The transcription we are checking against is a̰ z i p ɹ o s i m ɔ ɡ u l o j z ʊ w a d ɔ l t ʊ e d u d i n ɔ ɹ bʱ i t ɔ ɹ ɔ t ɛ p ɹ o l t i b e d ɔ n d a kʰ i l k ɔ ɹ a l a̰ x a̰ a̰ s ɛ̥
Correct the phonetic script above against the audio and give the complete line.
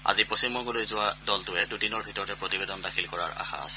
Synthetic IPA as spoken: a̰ z i p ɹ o s i m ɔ ɡ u l o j z ʊ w a d ɔ l t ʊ ɛ d u d i n ɔ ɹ bʱ i t ɔ ɹ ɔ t ɛ p ɹ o t i b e d ɔ n d a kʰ i l k ɔ ɹ a ɹ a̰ x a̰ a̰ s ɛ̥